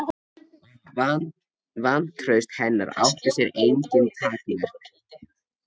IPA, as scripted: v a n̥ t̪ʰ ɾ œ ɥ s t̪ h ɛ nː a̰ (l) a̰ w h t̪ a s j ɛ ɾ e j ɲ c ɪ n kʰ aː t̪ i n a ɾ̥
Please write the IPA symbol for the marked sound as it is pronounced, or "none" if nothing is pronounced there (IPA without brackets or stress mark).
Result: ɾ